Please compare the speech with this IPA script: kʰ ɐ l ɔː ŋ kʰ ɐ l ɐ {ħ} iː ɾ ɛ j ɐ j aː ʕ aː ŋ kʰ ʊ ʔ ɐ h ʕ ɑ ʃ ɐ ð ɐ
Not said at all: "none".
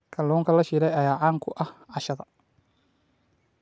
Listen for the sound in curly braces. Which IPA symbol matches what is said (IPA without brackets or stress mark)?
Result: ʃ